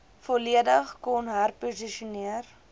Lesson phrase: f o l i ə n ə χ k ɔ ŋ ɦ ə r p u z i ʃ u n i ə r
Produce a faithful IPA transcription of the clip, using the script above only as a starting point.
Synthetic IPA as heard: f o l i ə d ə χ k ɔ n ɦ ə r p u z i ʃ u n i ə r